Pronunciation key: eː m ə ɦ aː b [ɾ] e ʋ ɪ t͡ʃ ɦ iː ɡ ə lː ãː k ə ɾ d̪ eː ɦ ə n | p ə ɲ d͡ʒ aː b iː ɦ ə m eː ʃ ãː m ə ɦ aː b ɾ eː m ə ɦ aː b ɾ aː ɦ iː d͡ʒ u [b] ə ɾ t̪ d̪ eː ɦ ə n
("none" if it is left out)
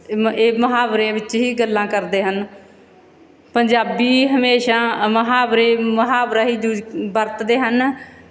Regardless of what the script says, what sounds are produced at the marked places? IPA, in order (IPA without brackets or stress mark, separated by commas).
ɾ, b